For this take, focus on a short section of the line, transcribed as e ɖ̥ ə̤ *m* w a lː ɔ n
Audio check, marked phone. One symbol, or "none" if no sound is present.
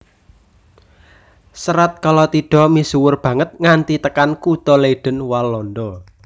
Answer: n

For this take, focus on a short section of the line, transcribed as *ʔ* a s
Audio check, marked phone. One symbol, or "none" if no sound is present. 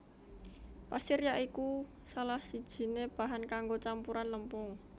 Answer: p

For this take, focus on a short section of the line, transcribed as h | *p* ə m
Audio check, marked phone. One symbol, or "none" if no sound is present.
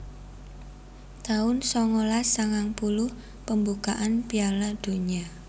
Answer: p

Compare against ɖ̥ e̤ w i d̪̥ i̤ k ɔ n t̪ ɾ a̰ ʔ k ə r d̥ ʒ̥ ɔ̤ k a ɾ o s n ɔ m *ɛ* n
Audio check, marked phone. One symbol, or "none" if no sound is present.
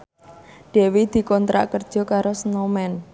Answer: ɛ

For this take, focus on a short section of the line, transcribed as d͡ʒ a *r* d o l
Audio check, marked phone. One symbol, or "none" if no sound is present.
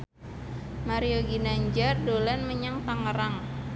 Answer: r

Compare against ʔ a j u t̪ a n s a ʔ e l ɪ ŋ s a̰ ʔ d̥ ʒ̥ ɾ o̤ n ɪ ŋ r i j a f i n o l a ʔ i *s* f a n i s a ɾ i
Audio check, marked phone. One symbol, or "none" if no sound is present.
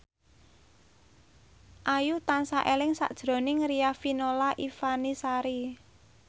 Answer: none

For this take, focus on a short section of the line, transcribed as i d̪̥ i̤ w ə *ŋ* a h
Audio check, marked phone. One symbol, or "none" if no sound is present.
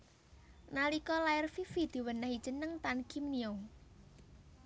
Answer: n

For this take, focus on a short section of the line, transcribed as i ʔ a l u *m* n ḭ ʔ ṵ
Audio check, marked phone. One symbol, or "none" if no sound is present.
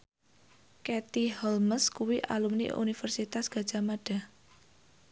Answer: m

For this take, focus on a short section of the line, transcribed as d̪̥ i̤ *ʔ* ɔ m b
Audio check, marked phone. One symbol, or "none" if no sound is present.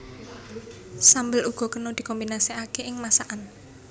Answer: k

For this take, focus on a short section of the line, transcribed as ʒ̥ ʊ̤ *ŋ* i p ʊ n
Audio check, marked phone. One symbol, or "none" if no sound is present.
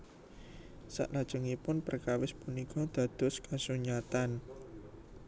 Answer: ŋ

